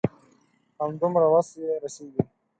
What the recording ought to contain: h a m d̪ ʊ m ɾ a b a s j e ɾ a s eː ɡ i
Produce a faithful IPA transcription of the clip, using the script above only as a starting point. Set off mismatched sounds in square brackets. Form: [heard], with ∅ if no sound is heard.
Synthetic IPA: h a m d̪ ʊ m ɾ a [w] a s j e ɾ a s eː ɡ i

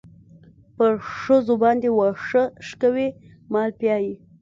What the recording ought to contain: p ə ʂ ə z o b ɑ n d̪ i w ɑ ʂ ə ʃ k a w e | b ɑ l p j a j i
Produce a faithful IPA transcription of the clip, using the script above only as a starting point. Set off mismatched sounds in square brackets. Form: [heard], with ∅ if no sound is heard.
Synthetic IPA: p ə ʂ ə z o b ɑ n d̪ [e] w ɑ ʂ ə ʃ k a w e | [m] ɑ l p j [ɑ] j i

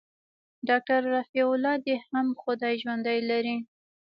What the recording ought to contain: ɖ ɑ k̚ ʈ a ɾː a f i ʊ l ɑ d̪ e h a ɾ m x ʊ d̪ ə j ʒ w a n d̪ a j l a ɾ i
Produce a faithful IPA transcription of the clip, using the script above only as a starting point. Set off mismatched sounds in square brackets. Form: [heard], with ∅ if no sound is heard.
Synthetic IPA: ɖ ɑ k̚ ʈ a ɾː a f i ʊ l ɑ d̪ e h a [∅] m x ʊ d̪ [ɑ] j ʒ w a n d̪ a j l a ɾ i

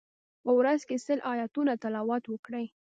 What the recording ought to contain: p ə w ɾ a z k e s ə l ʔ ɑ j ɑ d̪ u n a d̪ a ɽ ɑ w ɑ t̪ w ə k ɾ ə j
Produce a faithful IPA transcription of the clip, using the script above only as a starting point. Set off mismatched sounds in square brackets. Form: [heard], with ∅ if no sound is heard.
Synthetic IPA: p ə w ɾ a z k e s ə l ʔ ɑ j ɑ [t̪] u n a [t̪] a [l] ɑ w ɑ t̪ w ə k [ɽ] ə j

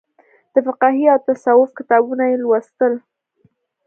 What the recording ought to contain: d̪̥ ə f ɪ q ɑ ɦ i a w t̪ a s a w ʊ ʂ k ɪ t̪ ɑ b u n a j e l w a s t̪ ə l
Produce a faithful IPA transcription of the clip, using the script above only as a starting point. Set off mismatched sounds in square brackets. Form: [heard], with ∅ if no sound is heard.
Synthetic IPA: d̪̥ ə f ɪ q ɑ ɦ i a w t̪ a s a w ʊ [f] k ɪ t̪ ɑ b u n a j e l w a s t̪ ə l

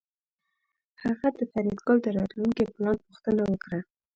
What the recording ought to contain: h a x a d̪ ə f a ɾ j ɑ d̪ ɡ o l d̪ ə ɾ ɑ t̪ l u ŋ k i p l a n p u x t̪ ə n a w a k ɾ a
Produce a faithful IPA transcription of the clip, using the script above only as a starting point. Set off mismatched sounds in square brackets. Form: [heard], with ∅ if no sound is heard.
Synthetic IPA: h a [ɣ] a d̪ ə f a ɾ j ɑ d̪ ɡ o l d̪ ə ɾ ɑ t̪ l u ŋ k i p l [ɑ] n p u x t̪ ə n a w [ə] k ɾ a

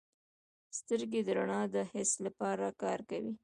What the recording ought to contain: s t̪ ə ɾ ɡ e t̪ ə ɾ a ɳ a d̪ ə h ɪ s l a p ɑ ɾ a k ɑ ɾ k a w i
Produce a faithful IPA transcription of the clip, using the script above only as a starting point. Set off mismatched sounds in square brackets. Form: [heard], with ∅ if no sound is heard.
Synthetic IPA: s t̪ ə ɾ ɡ e [d̪] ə ɾ a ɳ [ɑ] d̪ ə h ɪ s l a p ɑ ɾ a k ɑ ɾ k a w i

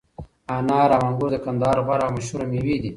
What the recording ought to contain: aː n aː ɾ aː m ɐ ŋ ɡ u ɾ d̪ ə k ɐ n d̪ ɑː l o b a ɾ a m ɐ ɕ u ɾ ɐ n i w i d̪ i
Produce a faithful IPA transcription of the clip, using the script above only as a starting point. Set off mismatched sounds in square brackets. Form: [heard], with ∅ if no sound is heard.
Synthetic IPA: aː n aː ɾ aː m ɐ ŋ ɡ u ɾ d̪ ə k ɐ n d̪ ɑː [ɾ] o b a ɾ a m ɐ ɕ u ɾ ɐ [m] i w i d̪ i

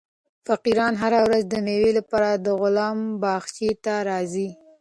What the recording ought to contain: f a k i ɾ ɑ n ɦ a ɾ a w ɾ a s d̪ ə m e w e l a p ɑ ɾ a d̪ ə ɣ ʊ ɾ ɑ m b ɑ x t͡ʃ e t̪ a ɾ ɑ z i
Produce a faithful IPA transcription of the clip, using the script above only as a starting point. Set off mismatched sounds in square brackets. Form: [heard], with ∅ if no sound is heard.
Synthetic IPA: f a [q] i ɾ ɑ n ɦ a ɾ a w ɾ a [z] d̪ ə m e w e l a p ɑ ɾ a d̪ ə ɣ ʊ [l] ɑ m b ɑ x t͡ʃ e t̪ a ɾ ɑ z i

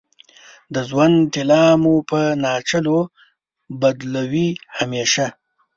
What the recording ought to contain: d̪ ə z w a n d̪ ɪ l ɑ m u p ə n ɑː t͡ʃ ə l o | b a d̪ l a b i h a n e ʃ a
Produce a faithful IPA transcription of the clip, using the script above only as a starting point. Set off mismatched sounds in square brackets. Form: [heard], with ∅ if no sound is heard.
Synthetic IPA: d̪ ə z w a n [t̪] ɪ l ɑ m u p ə n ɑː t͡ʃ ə l o | b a d̪ l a [w] i h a [m] e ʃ a

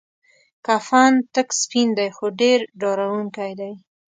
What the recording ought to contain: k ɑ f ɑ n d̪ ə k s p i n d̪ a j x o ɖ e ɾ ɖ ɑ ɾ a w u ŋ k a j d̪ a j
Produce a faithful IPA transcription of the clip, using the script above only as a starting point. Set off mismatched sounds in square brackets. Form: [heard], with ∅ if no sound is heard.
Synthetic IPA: k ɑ f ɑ n [t̪] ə k s p i n d̪ a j x o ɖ e ɾ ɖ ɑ ɾ a w u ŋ k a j d̪ a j

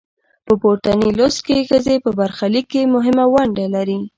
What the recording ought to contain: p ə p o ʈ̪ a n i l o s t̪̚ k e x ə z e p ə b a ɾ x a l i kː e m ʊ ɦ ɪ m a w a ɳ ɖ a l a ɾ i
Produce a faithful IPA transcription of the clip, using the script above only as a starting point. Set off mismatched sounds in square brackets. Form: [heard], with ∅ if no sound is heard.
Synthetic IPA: p ə p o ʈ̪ a n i l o s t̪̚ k e x ə z e p ə b a ɾ x a l i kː e m ʊ ɦ ɪ m a w a ɳ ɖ a l a ɾ i

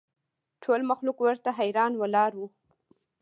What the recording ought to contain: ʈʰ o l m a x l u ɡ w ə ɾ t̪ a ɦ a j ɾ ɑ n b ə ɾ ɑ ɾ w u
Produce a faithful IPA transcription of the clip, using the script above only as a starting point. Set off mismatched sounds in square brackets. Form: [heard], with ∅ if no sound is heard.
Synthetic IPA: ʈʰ o l m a x l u [k] w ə ɾ t̪ a ɦ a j ɾ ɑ n [w] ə [l] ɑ ɾ w u

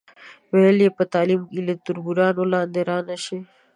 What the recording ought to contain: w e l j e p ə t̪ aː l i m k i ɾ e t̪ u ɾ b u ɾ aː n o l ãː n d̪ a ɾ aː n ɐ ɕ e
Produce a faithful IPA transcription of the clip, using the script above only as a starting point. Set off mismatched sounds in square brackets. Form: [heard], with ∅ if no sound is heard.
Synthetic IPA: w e l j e p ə t̪ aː l i m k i [l] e t̪ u ɾ b u ɾ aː n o l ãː n d̪ [e] ɾ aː n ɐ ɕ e

